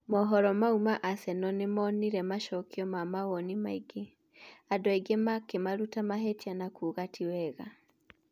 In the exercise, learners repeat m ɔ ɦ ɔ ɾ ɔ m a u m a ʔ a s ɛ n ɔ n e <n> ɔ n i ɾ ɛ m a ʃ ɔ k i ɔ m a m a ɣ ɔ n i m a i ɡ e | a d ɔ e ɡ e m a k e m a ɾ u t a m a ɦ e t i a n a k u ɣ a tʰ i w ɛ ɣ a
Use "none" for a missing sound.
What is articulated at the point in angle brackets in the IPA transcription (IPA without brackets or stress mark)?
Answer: m